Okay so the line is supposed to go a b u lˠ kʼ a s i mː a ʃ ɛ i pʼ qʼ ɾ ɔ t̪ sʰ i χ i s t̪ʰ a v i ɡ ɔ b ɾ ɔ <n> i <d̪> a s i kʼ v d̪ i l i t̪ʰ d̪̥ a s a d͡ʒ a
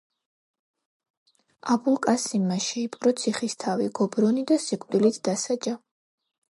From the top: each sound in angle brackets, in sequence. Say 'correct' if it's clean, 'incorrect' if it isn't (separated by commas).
correct, correct